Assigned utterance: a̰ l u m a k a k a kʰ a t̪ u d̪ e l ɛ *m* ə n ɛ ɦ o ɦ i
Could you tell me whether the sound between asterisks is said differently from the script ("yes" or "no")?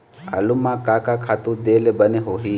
yes